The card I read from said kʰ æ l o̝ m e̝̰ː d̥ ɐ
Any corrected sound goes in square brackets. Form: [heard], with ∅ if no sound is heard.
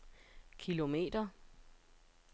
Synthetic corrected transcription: kʰ [i] l o̝ m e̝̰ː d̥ ɐ